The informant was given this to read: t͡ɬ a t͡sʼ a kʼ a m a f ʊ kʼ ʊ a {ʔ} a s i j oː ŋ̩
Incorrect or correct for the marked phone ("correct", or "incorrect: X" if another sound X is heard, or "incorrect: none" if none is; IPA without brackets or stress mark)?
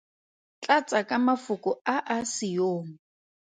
correct